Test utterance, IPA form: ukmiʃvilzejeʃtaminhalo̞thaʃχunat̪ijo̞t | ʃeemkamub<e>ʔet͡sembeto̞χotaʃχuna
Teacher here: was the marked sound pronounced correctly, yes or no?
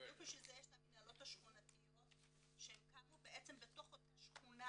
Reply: yes